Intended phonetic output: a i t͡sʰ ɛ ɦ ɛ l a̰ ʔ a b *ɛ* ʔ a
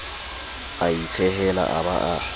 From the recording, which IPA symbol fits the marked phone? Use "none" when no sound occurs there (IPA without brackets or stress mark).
a